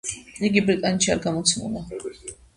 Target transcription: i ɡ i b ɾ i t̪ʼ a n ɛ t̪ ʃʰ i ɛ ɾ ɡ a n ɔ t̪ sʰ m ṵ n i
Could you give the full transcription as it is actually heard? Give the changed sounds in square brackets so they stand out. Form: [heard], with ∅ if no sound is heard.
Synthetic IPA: i ɡ i b ɾ i t̪ʼ a n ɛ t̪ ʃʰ i [a] ɾ ɡ a [m] ɔ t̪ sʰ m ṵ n [a]